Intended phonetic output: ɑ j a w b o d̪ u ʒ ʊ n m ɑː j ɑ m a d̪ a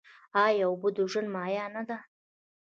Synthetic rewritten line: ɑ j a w b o d̪ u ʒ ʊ n m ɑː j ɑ n a d̪ a